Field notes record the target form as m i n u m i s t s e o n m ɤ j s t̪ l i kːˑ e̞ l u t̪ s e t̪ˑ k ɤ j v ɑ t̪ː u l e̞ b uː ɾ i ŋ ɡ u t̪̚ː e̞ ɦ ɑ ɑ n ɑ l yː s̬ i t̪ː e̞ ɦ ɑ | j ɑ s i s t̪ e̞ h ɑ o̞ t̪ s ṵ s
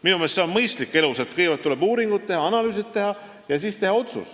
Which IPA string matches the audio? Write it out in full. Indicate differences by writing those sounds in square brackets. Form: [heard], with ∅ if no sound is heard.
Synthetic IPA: m i n u m [e] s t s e o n m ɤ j s t̪ l i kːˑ e̞ l u [∅] s e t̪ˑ k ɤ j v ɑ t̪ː u l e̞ b uː ɾ i ŋ ɡ u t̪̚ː e̞ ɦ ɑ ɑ n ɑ l yː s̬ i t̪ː e̞ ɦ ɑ | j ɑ s i s t̪ e̞ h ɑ o̞ t̪ s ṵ s